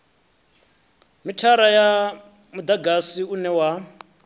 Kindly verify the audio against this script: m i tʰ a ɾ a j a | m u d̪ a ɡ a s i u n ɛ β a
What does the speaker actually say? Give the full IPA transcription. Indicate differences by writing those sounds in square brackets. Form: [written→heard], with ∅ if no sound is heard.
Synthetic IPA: m i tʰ a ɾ a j a | m u d̪ a ɡ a s i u n ɛ [β→w] a